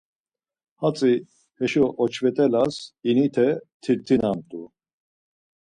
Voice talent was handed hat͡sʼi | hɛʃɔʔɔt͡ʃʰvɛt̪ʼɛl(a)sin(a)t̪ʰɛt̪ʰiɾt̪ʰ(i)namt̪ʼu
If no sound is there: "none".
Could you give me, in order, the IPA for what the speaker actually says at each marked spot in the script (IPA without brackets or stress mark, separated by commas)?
a, i, i